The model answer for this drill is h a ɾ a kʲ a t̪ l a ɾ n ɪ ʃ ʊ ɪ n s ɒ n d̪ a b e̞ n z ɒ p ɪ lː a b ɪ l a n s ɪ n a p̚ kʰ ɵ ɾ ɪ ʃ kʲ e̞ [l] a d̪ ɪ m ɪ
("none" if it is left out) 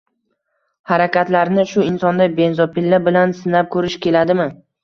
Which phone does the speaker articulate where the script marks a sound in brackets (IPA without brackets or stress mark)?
l